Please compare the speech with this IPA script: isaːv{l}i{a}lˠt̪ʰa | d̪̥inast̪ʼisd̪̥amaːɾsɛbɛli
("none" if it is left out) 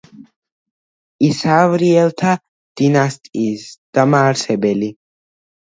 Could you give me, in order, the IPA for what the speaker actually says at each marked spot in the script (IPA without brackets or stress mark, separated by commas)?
ɾ, ɛ